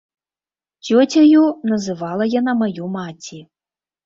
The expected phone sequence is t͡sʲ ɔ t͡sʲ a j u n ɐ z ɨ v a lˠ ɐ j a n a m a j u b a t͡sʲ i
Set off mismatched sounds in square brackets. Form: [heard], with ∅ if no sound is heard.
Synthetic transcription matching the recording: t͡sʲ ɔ t͡sʲ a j u n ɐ z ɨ v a lˠ ɐ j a n a m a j u [m] a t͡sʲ i